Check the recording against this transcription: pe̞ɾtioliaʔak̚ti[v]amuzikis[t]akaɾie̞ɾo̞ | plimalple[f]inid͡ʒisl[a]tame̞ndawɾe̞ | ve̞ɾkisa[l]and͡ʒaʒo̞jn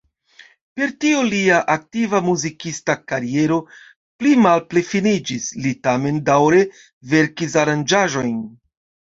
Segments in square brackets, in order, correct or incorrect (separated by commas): correct, correct, correct, incorrect, incorrect